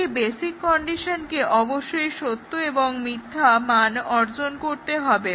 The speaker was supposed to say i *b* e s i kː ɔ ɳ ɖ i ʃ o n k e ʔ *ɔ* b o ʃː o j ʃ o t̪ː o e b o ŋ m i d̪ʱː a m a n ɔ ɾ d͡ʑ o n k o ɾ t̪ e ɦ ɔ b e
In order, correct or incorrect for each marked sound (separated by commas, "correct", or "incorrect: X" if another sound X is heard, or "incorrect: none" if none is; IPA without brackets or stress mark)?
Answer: correct, correct